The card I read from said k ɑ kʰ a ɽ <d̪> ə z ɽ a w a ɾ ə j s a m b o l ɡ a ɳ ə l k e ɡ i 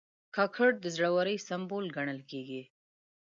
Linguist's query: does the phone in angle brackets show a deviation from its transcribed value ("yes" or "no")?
no